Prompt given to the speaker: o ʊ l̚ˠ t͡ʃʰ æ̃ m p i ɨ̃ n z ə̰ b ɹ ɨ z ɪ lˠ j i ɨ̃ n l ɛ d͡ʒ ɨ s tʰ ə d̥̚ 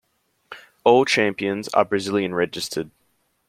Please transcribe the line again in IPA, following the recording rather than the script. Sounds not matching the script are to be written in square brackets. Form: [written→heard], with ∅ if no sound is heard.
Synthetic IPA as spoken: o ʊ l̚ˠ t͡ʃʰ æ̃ m p i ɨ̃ n z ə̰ b ɹ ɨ z ɪ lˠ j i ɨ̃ n [l→ɹ] ɛ d͡ʒ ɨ s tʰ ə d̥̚